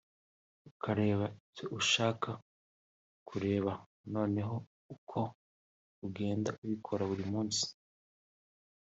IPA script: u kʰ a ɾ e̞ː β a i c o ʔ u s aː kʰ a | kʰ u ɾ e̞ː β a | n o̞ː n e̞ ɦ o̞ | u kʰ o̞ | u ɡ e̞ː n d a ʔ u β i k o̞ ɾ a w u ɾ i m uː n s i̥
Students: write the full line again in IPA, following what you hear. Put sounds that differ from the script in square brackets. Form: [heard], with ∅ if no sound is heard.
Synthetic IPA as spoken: u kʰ a ɾ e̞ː β a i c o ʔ u [ʃ] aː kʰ a | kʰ u ɾ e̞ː β a | n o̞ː n e̞ ɦ o̞ | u kʰ o̞ | u ɡ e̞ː n d a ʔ u β i [kʰ] o̞ ɾ a [β] u ɾ i m uː n s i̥